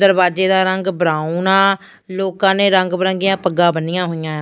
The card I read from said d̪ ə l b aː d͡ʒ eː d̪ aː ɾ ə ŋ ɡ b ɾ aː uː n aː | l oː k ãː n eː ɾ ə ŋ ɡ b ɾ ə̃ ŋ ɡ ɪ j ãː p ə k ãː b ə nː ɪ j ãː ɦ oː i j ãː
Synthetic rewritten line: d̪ ə ɾ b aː d͡ʒ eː d̪ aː ɾ ə ŋ ɡ b ɾ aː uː n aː | l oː k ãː n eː ɾ ə ŋ ɡ b ɾ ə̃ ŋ ɡ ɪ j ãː p ə ɡ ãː b ə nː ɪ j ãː ɦ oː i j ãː